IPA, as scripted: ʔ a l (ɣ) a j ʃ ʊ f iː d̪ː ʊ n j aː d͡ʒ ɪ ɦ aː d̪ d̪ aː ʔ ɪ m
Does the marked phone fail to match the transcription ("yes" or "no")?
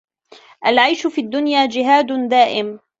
yes